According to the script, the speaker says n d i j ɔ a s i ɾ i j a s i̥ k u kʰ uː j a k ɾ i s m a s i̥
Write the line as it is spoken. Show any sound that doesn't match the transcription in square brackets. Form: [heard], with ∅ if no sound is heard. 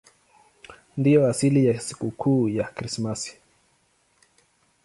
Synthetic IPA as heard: n d i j ɔ a s i [l] i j a s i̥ k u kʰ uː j a k ɾ i s m a s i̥